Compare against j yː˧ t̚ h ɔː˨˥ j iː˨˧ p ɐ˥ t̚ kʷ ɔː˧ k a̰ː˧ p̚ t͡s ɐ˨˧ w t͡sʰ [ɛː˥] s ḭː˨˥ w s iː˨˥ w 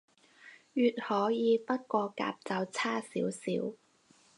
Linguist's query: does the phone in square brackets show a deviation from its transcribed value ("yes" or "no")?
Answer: yes